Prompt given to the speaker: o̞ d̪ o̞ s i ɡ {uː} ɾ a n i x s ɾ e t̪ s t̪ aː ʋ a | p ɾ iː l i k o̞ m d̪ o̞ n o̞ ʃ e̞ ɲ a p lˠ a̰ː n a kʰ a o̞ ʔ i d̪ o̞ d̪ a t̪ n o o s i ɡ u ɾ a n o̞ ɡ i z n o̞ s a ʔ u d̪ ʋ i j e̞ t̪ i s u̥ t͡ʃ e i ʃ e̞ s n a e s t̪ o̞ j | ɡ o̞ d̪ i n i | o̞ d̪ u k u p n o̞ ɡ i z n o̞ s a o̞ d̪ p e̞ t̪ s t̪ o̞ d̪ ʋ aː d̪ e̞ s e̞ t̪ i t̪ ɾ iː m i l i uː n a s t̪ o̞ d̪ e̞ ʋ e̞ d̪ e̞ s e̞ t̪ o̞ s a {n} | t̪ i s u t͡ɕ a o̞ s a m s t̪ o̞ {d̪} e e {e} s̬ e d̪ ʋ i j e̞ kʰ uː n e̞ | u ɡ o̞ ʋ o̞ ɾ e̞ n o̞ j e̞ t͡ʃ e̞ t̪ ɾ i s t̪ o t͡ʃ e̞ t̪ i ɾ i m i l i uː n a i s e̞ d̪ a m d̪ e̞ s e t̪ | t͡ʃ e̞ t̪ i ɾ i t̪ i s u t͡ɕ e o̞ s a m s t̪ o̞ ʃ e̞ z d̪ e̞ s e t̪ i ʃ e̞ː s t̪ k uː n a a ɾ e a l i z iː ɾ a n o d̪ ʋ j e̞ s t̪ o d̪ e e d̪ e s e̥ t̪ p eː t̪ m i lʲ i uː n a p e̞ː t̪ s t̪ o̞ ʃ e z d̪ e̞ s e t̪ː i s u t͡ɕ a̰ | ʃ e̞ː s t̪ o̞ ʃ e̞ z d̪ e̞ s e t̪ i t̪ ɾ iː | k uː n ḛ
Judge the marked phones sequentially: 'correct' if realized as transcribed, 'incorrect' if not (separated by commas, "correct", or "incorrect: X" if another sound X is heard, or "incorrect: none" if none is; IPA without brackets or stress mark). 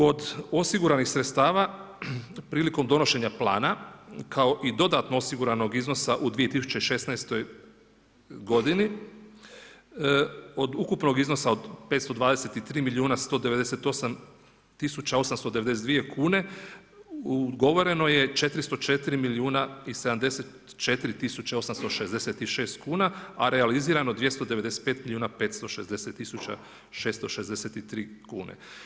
incorrect: u, incorrect: m, correct, correct